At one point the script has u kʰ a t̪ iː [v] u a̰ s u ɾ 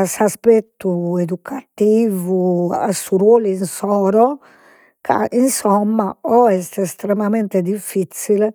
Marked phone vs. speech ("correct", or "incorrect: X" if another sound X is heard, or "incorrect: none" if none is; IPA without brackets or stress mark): correct